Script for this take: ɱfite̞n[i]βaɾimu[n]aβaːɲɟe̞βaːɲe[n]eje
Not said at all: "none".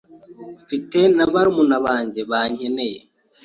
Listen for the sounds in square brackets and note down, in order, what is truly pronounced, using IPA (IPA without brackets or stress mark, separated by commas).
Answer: a, n, n